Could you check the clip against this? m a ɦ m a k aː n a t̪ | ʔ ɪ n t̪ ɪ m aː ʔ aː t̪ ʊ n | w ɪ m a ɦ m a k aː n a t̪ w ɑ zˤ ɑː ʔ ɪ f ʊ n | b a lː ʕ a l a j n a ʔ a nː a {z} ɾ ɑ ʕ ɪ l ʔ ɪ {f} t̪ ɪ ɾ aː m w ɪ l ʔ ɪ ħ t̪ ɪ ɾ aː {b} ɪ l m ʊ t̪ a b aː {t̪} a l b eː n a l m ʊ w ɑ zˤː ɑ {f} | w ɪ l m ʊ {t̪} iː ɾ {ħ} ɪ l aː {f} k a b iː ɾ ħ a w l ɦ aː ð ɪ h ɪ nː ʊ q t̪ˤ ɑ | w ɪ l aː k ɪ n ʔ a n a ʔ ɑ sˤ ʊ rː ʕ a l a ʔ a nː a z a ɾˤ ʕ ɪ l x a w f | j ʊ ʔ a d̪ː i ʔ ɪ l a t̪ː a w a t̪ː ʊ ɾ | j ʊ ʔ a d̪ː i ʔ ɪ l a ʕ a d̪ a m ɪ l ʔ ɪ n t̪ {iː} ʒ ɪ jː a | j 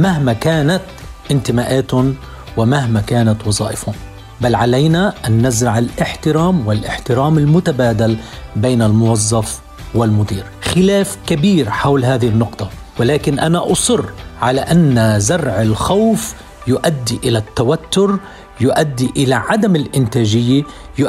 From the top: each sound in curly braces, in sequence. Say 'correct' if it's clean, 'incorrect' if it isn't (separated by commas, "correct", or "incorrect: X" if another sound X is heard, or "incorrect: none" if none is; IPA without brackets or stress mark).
correct, incorrect: ħ, incorrect: m, incorrect: d̪, correct, incorrect: d̪, incorrect: x, correct, incorrect: aː